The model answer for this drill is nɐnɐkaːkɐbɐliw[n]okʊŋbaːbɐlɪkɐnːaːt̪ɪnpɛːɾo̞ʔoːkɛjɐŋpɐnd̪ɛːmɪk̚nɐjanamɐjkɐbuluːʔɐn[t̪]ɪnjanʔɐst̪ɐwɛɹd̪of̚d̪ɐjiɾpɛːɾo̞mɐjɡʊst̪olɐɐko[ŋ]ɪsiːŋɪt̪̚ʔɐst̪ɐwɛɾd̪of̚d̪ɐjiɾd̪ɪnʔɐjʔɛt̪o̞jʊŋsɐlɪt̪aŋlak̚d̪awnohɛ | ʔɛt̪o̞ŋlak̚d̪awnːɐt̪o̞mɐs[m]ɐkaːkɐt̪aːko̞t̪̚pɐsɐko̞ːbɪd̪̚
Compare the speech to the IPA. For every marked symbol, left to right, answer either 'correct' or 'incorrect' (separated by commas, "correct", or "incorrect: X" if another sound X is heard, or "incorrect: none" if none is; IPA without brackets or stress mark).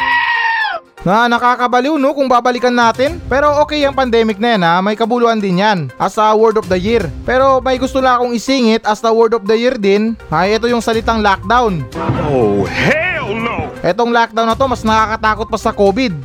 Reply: correct, incorrect: d̪, correct, incorrect: n